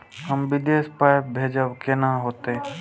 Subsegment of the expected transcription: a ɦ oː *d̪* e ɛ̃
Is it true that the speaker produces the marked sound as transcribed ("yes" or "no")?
no